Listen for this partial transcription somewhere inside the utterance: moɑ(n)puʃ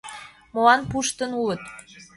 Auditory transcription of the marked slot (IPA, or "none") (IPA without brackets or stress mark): n